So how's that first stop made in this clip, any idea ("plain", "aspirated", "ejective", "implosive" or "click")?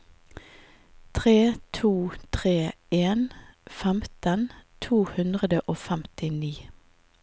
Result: aspirated